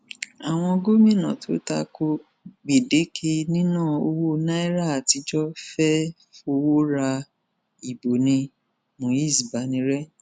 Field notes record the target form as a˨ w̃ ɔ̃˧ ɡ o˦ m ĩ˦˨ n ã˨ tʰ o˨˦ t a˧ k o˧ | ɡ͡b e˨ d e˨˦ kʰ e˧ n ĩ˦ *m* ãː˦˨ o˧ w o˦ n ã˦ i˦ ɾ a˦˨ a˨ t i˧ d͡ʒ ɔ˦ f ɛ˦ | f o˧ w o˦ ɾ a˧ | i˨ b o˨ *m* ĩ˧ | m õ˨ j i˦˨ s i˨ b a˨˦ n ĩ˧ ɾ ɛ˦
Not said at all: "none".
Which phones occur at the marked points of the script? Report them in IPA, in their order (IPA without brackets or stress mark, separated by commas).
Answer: n, n